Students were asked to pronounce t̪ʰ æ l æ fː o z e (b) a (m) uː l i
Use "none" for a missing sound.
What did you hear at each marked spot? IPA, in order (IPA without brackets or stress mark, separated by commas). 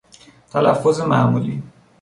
m, m